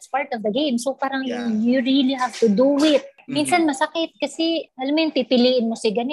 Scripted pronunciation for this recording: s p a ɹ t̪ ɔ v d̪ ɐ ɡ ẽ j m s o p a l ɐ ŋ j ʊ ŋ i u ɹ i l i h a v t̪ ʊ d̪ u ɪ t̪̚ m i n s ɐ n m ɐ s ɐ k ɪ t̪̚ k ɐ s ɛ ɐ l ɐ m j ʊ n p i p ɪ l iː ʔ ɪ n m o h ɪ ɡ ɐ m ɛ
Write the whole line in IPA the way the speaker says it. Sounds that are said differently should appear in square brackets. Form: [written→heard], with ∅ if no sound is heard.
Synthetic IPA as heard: s p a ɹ t̪ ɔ v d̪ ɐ ɡ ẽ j m s o p a [l→ɾ] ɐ ŋ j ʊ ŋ [i→j] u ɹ i l i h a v t̪ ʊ d̪ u ɪ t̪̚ m i n s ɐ n m ɐ s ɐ k ɪ t̪̚ k ɐ s ɛ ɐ l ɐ m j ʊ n p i p ɪ l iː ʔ ɪ n m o [h→s] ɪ ɡ ɐ [m→n] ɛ